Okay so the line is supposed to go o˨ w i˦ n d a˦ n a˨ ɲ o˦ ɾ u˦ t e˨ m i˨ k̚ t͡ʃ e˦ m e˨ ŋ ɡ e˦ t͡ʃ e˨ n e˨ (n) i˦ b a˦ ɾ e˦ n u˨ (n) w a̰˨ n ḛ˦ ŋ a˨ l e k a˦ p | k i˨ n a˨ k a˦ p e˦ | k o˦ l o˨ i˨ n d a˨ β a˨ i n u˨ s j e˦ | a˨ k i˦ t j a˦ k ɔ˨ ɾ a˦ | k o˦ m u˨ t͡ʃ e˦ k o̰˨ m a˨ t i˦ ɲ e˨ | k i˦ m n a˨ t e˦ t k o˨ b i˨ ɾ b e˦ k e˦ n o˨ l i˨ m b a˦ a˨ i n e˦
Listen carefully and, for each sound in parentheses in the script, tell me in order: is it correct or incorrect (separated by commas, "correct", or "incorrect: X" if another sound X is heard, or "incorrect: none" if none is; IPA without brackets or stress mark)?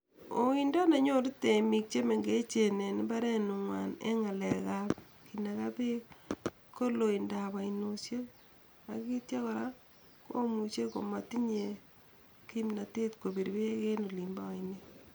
correct, incorrect: ŋ